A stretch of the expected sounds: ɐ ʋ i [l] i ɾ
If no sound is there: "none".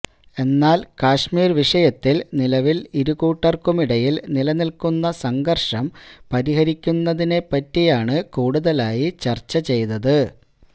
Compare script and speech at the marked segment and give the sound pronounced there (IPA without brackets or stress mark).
l